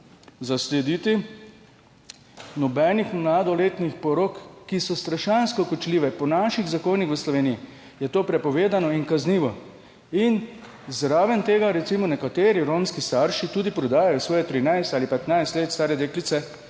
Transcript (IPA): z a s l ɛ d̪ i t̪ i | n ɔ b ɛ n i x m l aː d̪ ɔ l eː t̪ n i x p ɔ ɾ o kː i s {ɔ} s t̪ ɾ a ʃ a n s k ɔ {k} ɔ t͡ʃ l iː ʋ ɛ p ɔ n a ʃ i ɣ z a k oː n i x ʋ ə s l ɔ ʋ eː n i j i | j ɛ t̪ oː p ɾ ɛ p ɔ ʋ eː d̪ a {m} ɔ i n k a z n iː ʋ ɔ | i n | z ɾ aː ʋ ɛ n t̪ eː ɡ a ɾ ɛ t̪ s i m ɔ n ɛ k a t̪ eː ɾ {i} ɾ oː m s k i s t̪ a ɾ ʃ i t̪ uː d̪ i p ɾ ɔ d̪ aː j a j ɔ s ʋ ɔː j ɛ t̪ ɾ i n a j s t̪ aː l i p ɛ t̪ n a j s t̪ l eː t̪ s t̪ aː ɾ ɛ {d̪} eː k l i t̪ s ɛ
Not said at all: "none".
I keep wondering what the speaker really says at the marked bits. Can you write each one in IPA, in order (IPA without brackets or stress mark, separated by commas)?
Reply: ɔ, k, n, i, d̪